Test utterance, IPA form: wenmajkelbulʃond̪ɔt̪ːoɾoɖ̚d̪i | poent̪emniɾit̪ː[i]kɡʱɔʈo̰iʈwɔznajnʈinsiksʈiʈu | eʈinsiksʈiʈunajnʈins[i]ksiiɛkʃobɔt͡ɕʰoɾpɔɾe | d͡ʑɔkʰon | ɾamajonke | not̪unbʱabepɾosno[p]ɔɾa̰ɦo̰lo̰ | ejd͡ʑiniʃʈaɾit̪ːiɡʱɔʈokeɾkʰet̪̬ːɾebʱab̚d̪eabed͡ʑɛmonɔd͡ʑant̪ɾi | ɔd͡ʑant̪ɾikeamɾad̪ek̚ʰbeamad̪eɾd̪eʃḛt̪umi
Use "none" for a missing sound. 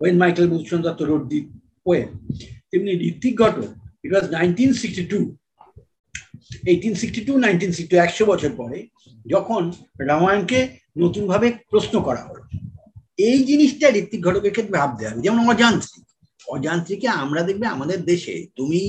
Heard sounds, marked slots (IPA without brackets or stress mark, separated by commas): i, i, k